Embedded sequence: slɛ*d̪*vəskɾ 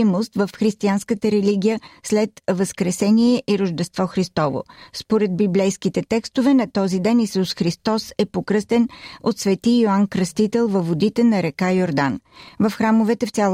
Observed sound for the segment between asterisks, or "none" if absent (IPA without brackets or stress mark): t̪